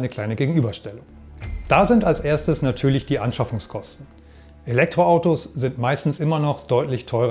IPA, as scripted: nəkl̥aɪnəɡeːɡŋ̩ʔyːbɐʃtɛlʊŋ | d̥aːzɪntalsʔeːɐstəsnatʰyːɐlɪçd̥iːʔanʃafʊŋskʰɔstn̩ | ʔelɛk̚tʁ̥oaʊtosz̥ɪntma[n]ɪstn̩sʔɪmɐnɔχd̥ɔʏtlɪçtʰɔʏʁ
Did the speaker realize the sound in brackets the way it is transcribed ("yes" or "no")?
no